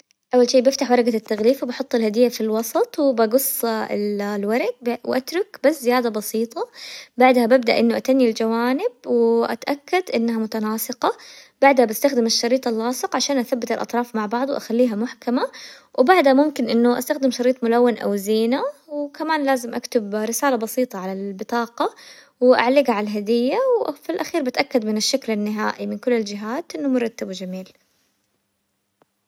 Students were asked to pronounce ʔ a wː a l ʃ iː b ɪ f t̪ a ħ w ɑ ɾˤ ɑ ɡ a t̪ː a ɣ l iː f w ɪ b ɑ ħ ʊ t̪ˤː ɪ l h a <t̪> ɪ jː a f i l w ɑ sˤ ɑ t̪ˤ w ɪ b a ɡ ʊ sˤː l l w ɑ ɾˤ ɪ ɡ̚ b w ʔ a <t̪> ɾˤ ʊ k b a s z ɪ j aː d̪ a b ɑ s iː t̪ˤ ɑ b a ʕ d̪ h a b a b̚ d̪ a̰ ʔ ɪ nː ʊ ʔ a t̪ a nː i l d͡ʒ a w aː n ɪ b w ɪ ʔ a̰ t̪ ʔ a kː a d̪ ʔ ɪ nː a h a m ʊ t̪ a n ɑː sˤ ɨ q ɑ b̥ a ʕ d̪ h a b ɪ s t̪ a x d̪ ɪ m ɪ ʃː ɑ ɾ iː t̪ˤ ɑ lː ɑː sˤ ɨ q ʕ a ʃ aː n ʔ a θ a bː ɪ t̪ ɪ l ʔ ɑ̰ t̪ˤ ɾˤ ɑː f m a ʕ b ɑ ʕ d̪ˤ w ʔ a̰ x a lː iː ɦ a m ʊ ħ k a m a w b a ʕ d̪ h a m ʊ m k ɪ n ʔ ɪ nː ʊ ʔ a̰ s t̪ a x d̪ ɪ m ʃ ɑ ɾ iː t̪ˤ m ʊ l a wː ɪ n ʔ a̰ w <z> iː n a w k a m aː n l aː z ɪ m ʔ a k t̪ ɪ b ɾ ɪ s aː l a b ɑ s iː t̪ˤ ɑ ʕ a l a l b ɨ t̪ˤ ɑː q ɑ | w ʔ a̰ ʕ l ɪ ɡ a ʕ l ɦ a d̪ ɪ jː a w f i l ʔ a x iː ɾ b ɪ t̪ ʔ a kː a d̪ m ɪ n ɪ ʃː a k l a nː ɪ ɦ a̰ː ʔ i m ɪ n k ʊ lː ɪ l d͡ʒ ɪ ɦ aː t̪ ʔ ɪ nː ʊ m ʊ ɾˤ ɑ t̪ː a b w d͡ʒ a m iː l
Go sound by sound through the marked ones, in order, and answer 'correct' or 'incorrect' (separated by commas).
incorrect, correct, correct